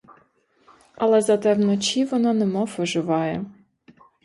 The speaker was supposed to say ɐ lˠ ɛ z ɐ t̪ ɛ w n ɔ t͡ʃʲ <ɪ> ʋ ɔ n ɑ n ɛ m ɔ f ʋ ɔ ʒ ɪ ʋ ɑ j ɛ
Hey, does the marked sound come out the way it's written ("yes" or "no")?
no